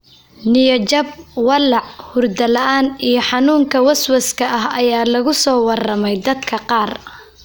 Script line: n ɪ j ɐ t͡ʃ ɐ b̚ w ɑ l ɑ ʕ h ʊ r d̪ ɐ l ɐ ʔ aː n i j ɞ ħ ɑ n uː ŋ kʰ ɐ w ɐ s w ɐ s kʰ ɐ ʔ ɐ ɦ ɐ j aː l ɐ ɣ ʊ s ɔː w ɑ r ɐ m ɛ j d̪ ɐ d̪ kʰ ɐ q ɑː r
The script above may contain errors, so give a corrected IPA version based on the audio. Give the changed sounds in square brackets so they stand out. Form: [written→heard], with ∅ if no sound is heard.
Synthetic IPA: n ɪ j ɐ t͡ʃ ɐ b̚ w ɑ l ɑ ʕ h ʊ r d̪ ɐ l ɐ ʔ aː n i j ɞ ħ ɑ n uː ŋ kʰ ɐ w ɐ s w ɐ s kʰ ɐ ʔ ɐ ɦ ɐ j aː l ɐ ɣ ʊ s ɔː w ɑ r ɐ m ɛ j d̪ ɐ d̪ kʰ ɐ q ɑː r